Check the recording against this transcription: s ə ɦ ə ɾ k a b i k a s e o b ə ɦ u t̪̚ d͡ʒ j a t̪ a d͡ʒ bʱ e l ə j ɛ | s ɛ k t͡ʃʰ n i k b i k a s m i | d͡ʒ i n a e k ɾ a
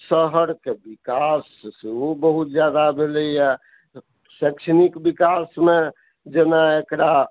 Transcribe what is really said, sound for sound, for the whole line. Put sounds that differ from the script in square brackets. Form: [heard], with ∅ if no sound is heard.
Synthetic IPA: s ə ɦ ə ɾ k [e] b i k a s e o b ə ɦ u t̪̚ d͡ʒ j a [d̪] a [∅] bʱ e l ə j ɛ | s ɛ k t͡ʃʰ n i k b i k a s m [e] | d͡ʒ [e] n a e k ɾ a